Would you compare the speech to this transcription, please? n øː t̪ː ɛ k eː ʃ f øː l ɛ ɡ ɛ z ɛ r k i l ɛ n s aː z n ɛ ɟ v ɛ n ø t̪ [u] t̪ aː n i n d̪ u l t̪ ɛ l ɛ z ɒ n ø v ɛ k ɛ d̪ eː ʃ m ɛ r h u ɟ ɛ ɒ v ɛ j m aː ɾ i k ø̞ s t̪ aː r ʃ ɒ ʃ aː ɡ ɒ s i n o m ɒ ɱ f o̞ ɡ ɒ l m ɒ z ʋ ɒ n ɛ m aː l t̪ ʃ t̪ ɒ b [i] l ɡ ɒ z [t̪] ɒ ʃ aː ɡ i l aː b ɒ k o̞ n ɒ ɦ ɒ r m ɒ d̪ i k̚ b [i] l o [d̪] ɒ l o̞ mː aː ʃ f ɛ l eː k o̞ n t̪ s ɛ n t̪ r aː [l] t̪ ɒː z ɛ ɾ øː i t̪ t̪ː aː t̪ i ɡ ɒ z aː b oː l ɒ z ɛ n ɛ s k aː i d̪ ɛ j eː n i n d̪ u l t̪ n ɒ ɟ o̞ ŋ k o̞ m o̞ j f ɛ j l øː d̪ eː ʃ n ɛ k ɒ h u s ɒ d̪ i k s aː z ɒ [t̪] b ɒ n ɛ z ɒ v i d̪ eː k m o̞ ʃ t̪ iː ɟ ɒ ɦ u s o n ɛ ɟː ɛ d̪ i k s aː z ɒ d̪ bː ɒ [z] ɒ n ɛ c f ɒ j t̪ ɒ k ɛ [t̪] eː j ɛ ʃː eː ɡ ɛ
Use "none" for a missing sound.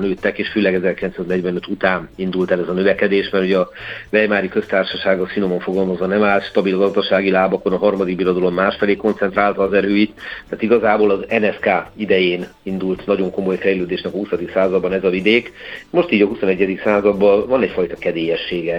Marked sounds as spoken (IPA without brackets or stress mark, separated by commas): u, i, d̪, i, d̪, l, d̪, v, d̪